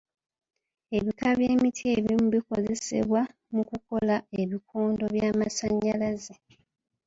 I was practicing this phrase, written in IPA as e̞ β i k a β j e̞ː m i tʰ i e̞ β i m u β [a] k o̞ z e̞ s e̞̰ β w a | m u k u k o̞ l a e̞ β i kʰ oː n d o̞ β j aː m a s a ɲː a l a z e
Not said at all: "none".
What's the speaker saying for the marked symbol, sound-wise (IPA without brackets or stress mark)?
i